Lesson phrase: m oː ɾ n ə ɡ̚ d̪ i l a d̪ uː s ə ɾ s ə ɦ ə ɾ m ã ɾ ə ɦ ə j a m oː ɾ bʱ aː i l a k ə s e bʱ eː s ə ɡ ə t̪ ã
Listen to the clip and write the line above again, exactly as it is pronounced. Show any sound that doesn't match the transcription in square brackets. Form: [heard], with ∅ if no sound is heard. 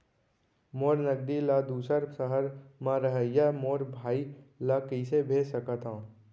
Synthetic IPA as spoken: m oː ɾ n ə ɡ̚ d̪ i l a d̪ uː s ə ɾ s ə ɦ ə ɾ m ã ɾ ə ɦ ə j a m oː ɾ bʱ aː i l a k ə s e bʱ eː s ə [k] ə t̪ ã